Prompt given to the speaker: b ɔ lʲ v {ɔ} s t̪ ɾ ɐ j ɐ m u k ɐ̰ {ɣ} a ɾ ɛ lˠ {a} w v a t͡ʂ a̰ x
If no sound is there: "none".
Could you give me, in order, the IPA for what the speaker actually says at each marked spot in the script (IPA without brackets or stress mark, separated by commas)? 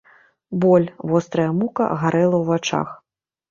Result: ɔ, ɣ, ɐ